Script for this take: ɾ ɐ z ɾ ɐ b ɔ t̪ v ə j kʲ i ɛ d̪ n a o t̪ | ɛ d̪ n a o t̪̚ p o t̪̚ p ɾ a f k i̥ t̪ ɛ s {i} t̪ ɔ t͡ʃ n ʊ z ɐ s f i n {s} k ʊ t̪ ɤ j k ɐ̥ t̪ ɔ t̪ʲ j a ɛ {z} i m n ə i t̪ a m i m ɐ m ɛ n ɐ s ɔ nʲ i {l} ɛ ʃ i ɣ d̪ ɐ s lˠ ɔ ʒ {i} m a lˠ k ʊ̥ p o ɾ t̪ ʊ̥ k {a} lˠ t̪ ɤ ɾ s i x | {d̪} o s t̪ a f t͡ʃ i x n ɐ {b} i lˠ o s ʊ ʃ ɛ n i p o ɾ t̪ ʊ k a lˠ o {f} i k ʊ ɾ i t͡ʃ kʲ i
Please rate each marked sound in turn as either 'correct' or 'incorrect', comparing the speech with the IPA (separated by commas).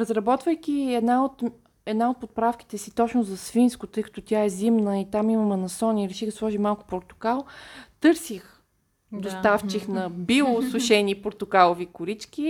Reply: correct, correct, correct, incorrect, correct, correct, correct, correct, incorrect